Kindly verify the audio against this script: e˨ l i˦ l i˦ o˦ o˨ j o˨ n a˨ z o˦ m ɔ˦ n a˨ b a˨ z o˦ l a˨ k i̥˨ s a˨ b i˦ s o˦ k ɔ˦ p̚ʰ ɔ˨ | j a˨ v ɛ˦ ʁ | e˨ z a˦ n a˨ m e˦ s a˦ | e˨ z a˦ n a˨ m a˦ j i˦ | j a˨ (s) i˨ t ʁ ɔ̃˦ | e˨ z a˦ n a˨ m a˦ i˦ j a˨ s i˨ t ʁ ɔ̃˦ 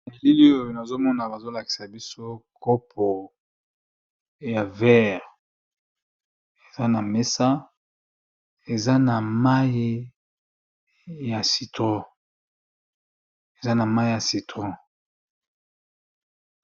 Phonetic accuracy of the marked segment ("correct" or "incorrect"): correct